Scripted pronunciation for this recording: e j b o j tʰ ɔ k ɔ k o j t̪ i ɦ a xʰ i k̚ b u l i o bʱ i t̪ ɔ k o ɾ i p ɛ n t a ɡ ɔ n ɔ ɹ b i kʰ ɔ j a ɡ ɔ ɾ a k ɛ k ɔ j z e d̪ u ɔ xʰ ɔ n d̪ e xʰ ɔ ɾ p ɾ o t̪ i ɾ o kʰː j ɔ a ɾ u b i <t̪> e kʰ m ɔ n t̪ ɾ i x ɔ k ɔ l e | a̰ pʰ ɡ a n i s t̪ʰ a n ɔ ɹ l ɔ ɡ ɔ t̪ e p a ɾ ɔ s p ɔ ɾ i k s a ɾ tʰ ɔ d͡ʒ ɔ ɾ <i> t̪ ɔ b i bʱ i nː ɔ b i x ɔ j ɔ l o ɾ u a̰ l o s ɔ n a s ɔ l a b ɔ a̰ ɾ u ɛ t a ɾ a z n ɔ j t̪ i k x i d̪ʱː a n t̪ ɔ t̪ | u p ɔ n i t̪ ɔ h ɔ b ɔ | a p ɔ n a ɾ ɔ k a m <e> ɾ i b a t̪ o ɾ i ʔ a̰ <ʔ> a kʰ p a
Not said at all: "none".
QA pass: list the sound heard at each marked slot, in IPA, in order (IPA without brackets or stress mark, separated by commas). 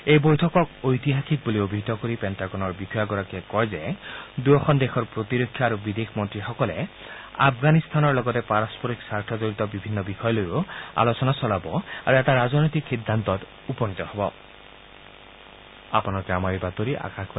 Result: d̪, i, a, k